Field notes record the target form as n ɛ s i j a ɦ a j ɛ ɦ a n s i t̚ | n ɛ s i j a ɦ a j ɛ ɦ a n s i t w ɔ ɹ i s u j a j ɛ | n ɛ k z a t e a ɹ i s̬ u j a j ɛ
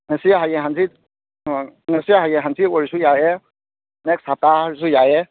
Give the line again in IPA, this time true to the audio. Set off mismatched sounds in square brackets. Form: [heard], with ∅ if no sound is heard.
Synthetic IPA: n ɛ s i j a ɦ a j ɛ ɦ a n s i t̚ | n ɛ s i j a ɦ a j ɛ ɦ a n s i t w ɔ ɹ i s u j a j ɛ | n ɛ k [s] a t [a] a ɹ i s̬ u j a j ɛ